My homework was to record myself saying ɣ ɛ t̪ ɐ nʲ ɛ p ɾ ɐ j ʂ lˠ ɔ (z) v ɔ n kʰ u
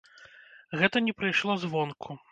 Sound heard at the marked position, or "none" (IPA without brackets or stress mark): z